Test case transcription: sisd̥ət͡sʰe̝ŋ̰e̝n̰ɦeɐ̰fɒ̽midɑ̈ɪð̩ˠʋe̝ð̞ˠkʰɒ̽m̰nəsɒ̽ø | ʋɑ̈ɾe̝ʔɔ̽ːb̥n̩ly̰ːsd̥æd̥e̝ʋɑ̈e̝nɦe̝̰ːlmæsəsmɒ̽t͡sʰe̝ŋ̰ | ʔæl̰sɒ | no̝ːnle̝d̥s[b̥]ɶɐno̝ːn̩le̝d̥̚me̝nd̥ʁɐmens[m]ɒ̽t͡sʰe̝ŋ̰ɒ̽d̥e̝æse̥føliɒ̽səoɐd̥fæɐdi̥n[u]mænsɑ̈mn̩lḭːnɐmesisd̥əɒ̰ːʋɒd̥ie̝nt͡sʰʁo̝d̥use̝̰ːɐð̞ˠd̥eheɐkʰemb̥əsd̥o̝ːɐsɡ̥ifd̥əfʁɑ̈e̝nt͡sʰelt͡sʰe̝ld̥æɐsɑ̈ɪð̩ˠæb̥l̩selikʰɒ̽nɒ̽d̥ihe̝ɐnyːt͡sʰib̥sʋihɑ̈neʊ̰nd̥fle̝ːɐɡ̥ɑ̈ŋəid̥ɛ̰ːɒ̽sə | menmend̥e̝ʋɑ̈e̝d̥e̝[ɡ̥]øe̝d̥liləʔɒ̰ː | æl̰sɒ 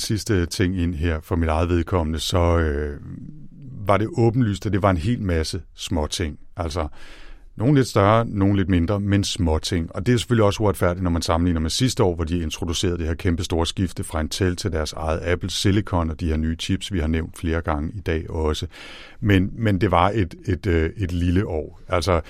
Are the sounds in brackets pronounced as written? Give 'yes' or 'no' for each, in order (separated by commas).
no, yes, no, no